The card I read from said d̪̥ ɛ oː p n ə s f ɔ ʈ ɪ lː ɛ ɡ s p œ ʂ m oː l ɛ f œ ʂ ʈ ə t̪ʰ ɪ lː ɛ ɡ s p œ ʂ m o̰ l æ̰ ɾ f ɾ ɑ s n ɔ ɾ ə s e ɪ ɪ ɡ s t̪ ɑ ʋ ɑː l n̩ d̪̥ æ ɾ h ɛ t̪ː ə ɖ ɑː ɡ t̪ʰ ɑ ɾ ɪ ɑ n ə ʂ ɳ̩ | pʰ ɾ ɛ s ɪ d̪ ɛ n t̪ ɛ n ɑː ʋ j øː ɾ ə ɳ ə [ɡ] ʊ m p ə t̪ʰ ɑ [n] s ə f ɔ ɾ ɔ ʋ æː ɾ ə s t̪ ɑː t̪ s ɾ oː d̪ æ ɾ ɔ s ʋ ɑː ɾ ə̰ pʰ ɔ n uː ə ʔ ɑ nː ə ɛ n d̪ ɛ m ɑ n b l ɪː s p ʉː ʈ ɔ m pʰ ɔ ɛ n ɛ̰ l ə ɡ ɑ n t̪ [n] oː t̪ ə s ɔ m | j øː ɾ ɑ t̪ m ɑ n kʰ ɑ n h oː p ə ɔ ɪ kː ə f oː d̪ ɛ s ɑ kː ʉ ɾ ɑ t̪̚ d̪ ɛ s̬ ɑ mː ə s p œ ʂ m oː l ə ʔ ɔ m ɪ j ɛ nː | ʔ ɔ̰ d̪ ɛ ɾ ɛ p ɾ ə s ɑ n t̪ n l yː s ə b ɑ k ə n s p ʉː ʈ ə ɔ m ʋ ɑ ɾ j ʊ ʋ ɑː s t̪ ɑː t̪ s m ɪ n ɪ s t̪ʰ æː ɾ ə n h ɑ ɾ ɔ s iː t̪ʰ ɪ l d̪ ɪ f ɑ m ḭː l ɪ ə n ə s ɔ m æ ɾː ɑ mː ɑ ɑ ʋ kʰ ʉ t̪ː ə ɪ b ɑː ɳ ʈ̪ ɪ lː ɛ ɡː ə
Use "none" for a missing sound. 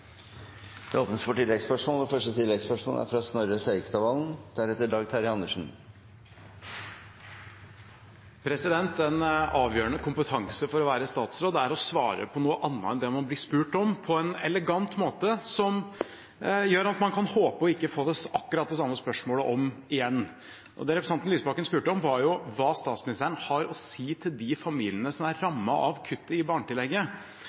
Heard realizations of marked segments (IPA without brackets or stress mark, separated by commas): k, ŋ, m